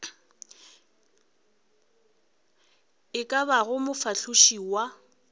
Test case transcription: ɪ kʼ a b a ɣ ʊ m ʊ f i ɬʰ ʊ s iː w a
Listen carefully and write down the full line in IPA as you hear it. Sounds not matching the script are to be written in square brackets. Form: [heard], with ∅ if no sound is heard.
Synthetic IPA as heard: ɪ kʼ a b a ɣ ʊ m ʊ f [a] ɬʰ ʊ [ʃ] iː w a